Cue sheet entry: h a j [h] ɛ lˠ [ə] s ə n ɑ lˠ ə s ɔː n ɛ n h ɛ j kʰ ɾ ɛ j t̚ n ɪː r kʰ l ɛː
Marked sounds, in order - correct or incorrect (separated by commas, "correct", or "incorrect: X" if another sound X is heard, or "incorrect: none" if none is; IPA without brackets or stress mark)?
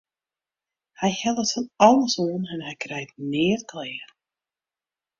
correct, correct